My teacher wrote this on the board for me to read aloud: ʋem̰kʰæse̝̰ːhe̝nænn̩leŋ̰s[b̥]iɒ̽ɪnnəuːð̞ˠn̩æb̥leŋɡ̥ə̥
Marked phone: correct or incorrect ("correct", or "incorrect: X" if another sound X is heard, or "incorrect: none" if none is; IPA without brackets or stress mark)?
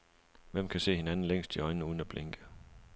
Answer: incorrect: d̥